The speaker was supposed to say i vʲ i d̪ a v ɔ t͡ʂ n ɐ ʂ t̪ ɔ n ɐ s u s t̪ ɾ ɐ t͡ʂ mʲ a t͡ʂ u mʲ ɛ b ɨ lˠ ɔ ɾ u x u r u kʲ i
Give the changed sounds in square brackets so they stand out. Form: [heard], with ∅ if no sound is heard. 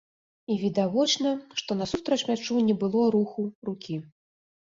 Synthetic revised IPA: i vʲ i d̪ a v ɔ t͡ʂ n ɐ ʂ t̪ ɔ n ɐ s u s t̪ ɾ ɐ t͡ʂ mʲ a t͡ʂ u [nʲ] ɛ b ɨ lˠ ɔ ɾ u x u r u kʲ i